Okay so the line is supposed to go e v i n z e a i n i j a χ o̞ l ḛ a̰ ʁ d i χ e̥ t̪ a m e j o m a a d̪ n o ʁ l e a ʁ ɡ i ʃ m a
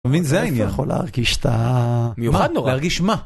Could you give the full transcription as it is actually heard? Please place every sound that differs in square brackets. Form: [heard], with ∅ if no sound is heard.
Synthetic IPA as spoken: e v i n z e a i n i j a χ o̞ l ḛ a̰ ʁ [ɡ] i [ʃ] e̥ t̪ a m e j [u] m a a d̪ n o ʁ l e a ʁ ɡ i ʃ m a